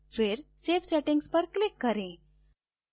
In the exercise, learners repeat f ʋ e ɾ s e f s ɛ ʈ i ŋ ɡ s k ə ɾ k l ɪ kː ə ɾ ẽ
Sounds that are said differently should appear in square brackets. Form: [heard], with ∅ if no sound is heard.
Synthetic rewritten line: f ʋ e ɾ s e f s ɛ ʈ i ŋ ɡ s [p] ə ɾ k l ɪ kː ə ɾ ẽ

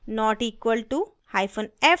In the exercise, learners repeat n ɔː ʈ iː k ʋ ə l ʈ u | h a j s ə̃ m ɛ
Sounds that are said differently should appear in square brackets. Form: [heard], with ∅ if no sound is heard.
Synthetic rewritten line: n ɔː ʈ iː k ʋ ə l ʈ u | h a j [f] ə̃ [n] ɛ

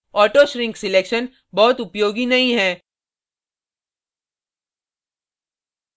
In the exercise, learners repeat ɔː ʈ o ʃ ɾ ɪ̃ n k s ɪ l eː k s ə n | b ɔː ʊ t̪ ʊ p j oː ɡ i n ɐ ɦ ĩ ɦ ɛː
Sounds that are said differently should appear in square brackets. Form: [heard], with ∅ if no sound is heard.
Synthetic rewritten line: ɔː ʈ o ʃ ɾ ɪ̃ [ŋ] k s ɪ l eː k [ʃ] ə n | b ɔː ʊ t̪ ʊ p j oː ɡ i n ɐ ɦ ĩ ɦ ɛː

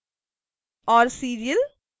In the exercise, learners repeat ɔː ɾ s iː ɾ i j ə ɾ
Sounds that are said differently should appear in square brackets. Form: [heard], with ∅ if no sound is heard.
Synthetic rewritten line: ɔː ɾ s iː ɾ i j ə [l]

